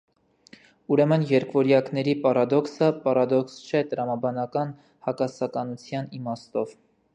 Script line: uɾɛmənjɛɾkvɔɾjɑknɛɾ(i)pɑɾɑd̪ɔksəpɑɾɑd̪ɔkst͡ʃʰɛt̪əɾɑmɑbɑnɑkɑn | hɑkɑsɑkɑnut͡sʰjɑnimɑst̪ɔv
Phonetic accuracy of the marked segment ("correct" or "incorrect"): correct